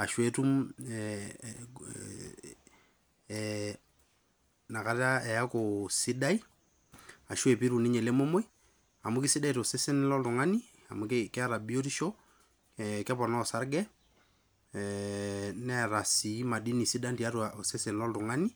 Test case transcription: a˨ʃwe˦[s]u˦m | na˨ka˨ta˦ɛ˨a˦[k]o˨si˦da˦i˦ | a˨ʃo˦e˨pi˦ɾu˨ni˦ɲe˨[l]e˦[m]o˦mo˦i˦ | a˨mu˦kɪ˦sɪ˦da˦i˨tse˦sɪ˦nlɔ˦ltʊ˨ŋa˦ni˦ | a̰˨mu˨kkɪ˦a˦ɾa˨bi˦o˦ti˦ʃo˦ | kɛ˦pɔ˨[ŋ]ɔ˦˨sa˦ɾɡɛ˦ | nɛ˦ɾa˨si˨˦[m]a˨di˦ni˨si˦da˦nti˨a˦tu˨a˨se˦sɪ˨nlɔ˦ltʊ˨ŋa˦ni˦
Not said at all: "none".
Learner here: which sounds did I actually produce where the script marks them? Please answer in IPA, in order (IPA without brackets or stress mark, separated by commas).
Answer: t, k, l, m, n, m